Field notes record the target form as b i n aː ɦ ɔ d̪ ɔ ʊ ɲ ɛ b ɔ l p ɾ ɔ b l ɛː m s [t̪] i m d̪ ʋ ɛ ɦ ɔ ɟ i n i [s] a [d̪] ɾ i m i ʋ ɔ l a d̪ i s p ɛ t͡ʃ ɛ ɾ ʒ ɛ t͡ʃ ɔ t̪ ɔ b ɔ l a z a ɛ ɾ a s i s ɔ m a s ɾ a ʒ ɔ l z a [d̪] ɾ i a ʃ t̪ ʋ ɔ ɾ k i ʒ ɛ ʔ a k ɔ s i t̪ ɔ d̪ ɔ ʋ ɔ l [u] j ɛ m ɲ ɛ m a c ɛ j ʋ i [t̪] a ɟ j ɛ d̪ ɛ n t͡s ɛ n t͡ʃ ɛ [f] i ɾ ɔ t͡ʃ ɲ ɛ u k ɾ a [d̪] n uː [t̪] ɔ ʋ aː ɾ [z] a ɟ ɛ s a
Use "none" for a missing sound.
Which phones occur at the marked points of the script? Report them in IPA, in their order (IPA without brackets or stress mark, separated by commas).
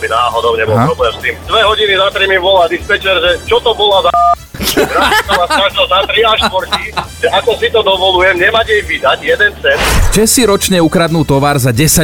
t̪, z, t̪, t̪, u, d̪, s, d̪, t̪, z